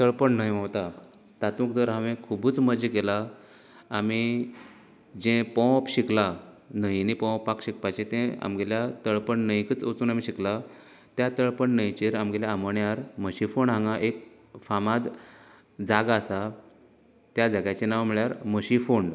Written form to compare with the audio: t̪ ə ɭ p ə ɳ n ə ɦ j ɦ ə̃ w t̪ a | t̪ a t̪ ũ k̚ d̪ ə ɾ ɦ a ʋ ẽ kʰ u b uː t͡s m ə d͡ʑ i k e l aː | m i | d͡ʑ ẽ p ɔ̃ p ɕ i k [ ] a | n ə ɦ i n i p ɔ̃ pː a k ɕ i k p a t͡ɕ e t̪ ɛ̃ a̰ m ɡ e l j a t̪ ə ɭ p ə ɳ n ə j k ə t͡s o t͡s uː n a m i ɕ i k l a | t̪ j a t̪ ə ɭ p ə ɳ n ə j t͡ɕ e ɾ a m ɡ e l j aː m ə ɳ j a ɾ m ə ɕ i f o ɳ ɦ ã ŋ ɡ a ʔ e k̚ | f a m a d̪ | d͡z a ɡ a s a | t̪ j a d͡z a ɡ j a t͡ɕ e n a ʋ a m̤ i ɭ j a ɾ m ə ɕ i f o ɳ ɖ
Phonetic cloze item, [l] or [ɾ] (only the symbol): l